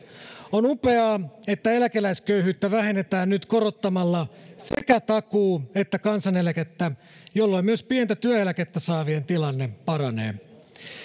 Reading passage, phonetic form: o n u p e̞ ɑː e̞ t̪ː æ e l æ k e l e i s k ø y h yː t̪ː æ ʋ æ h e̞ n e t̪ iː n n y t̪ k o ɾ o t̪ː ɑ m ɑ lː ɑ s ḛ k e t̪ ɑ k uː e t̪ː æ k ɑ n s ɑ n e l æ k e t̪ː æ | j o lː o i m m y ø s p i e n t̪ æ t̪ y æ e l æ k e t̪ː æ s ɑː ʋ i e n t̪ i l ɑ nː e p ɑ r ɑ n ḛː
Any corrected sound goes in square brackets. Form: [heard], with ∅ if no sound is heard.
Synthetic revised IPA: o n u p e̞ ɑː e̞ t̪ː æ e l æ k e l [æ] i s k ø y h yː t̪ː æ ʋ æ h e̞ n e t̪ [æː] n n y t̪ k o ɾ o t̪ː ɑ m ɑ lː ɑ s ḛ k [æ] t̪ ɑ k uː e t̪ː æ k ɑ n s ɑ n e l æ k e t̪ː æ | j o lː o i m m y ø s p i e n t̪ æ t̪ y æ e l æ k e t̪ː æ s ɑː ʋ i e n t̪ i l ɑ nː e p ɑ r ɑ n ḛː